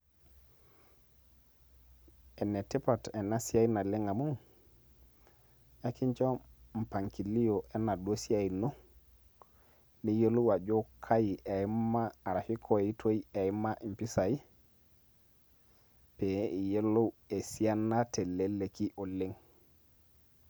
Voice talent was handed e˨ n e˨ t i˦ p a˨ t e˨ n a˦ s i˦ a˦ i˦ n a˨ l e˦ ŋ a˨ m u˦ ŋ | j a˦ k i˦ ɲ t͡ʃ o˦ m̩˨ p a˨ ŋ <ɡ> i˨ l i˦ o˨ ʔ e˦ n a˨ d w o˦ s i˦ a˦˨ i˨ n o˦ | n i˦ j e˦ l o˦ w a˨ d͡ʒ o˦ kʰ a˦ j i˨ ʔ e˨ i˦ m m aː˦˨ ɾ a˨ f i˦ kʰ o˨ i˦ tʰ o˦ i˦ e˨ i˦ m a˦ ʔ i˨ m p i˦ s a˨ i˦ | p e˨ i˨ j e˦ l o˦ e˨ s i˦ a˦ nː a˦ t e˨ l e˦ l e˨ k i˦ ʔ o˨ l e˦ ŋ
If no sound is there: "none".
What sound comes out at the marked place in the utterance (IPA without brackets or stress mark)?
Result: k